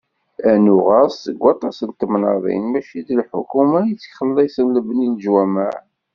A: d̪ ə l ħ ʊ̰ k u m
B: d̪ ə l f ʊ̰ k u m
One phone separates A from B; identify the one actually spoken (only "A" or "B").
A